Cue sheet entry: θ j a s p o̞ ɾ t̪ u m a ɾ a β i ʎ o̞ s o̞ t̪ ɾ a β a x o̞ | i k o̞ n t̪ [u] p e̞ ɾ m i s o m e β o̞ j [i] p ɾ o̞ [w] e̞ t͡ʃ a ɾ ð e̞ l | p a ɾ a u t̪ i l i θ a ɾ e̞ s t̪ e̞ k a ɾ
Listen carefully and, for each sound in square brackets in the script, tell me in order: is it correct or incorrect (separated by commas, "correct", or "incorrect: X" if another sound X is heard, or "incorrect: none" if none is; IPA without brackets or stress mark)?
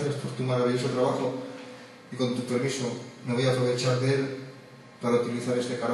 correct, incorrect: a, incorrect: β